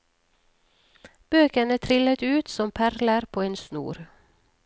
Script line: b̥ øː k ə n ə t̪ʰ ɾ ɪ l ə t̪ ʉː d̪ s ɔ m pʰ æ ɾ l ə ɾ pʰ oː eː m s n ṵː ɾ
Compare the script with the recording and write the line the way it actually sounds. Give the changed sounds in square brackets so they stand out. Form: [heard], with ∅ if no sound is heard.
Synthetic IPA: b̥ øː k ə n ə t̪ʰ ɾ ɪ l ə t̪ ʉː [t̪] s ɔ m pʰ æ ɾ l ə ɾ pʰ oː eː [n] s n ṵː ɾ

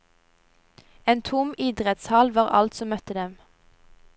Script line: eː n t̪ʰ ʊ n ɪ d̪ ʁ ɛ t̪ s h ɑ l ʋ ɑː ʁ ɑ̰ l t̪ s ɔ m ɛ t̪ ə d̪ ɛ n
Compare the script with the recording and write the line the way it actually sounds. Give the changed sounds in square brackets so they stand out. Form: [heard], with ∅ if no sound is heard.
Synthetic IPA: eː n t̪ʰ ʊ [m] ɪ d̪ ʁ ɛ t̪ s h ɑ l ʋ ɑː ʁ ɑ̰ l t̪ s ɔ m [œ] t̪ ə d̪ ɛ [m]

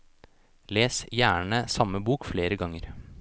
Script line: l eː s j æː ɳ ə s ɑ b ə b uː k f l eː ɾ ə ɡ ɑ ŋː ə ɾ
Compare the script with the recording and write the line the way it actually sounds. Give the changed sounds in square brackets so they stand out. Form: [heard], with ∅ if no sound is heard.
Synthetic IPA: l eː s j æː ɳ ə s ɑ [m] ə b uː k f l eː ɾ ə ɡ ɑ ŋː ə ɾ

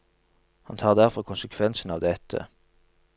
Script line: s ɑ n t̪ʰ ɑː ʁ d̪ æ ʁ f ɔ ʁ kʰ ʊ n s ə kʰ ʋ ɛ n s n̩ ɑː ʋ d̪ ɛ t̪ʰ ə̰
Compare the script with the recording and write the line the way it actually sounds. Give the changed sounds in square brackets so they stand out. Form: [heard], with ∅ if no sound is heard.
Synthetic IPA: [h] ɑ n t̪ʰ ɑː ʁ d̪ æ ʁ f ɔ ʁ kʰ ʊ n s ə kʰ ʋ ɛ n s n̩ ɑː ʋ d̪ ɛ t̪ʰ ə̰

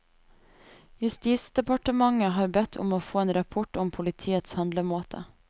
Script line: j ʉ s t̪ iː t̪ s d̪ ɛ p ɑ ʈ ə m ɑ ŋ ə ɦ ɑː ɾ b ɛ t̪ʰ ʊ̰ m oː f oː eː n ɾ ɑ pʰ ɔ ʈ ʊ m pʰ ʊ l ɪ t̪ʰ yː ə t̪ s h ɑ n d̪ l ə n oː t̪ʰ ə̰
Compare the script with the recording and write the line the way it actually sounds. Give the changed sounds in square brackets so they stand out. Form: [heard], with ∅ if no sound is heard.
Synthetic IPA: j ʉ s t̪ iː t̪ s d̪ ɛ p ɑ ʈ ə m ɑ ŋ ə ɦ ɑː ɾ b ɛ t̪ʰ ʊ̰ m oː f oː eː n ɾ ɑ pʰ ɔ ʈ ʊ m pʰ ʊ l ɪ t̪ʰ [iː] ə t̪ s h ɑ n d̪ l ə [m] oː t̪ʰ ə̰

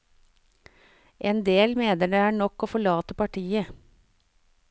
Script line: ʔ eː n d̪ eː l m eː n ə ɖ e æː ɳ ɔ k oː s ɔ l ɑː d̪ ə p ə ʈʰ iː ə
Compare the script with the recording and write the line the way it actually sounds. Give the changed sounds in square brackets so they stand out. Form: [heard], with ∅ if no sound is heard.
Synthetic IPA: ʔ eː n d̪ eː l m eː n ə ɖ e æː ɳ ɔ k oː [f] ɔ [ɭ] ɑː [t̪] ə p [ɑ] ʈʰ iː ə

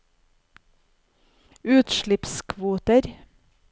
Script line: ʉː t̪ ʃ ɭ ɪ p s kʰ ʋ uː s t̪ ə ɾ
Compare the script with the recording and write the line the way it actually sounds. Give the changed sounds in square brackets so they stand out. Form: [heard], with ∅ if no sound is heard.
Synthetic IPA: ʉː t̪ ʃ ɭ ɪ p s kʰ ʋ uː [∅] t̪ ə ɾ

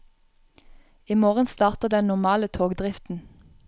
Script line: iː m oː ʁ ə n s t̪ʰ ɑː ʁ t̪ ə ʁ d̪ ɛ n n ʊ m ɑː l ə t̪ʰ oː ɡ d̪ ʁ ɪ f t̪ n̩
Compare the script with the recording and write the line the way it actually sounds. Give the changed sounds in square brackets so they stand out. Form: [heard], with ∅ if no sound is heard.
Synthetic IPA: iː m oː ʁ ə n s [t̪] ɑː ʁ t̪ ə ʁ d̪ ɛ n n ʊ m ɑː l ə t̪ʰ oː ɡ d̪ ʁ ɪ f t̪ n̩

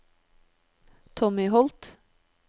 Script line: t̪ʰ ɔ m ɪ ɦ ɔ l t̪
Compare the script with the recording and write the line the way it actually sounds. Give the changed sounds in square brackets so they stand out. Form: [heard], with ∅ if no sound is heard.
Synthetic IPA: t̪ʰ ɔ m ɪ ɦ ɔ l t̪

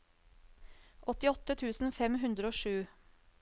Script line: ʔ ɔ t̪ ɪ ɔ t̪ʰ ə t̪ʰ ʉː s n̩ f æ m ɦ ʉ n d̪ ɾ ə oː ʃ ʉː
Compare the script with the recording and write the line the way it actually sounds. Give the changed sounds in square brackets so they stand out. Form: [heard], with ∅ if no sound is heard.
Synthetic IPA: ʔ ɔ t̪ ɪ ɔ [t̪] ə t̪ʰ ʉː s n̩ f [ɛ] m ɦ ʉ n d̪ ɾ ə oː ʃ ʉː

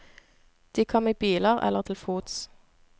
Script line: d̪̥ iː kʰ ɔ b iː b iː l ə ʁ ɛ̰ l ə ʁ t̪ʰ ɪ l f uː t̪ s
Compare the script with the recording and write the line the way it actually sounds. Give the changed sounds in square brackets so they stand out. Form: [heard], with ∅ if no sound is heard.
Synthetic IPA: d̪̥ iː kʰ ɔ [m] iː b iː l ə ʁ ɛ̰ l ə ʁ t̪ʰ ɪ l f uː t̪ s

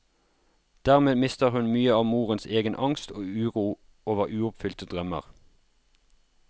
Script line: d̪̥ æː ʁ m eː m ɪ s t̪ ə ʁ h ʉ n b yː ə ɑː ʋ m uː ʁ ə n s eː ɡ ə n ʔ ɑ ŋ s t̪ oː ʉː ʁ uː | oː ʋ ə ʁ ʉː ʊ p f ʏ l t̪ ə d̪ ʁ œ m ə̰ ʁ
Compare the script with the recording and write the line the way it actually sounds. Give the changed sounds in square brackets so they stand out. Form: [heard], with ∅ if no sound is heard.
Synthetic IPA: d̪̥ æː ʁ m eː m ɪ s t̪ ə ʁ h ʉ n [m] yː ə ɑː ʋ m uː ʁ ə n s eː ɡ ə n ʔ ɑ ŋ s t̪ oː ʉː ʁ uː | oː ʋ ə ʁ ʉː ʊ p f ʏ l t̪ ə d̪ ʁ œ m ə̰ ʁ

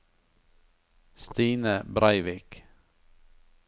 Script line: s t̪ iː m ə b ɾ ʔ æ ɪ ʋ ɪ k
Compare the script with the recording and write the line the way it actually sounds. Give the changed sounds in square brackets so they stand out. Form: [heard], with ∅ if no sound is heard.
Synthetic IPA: s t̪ iː [n] ə b ɾ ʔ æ ɪ ʋ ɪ k

